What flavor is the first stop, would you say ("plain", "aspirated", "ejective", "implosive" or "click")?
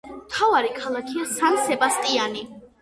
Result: aspirated